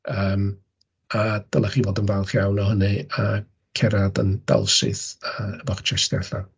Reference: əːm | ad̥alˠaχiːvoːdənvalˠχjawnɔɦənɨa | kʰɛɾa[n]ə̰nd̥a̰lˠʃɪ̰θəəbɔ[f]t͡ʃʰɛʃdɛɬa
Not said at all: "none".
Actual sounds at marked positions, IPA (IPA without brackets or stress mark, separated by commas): d, χ